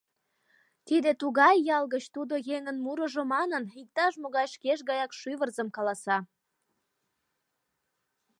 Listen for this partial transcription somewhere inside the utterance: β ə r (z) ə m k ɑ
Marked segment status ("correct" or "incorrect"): correct